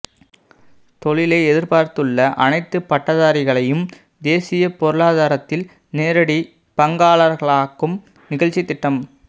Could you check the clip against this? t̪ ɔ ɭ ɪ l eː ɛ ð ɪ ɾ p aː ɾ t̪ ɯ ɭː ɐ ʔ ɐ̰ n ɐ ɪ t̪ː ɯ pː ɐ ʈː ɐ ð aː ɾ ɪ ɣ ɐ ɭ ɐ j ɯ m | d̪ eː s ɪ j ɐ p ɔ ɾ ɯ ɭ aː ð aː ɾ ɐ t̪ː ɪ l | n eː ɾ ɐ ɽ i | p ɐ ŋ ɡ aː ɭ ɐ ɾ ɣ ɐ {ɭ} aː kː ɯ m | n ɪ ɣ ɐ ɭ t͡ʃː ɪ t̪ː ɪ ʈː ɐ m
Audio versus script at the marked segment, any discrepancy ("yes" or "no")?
no